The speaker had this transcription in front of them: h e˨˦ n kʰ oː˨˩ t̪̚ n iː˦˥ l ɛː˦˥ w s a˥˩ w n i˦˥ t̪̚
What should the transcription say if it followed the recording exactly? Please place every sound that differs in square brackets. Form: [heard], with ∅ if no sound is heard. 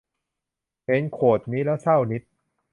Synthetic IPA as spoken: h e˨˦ n kʰ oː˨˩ t̪̚ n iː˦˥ l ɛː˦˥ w s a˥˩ w n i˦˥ t̪̚